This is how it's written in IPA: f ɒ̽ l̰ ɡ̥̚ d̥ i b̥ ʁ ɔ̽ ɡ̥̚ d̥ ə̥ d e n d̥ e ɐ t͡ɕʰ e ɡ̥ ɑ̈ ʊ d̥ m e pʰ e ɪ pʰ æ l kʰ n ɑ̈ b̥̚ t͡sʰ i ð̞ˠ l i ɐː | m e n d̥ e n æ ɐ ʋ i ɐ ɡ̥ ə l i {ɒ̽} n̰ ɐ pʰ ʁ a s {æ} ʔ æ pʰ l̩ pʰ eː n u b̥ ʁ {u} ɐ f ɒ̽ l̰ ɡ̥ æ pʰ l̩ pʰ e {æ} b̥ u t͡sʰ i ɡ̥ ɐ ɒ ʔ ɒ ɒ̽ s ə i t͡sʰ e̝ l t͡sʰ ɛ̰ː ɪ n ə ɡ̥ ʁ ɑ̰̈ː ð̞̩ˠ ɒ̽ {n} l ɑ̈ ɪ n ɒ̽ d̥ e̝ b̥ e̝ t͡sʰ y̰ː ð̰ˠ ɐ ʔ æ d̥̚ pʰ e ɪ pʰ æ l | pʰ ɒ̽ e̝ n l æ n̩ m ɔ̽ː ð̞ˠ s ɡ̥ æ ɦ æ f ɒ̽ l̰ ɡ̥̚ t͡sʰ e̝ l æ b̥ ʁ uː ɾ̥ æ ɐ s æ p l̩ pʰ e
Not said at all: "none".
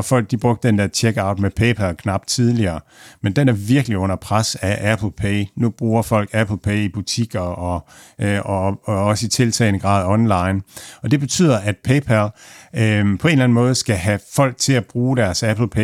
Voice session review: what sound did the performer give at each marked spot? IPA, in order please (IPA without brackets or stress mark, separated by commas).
ɔ̽, æ, uː, i, n